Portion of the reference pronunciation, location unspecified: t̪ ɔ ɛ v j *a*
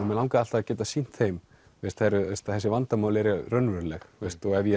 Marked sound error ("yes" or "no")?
yes